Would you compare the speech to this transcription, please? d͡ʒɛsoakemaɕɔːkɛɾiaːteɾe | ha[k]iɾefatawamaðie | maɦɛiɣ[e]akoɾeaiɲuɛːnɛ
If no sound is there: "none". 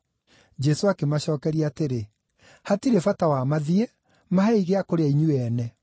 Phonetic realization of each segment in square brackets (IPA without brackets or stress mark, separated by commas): t, e